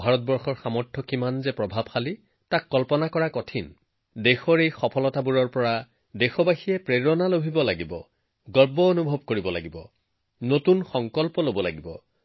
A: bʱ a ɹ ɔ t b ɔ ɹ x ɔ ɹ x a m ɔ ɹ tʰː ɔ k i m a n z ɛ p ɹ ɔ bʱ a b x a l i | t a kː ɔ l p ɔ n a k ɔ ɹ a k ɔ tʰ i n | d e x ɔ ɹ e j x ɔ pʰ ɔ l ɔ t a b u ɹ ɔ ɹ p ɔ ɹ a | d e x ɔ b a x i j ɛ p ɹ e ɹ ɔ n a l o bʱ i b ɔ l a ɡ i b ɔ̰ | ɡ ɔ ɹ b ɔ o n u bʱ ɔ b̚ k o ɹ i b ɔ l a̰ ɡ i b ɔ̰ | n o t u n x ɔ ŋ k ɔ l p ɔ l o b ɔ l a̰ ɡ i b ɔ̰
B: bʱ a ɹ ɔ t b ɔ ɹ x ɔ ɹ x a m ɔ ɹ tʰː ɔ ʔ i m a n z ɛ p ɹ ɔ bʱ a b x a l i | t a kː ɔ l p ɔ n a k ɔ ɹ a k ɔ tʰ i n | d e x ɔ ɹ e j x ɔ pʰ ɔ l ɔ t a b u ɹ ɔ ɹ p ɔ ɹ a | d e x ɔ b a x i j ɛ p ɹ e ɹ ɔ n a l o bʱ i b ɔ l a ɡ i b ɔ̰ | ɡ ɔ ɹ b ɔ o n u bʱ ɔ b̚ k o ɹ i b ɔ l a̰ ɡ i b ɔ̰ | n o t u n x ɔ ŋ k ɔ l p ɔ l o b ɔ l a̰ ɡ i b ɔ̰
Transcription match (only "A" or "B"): A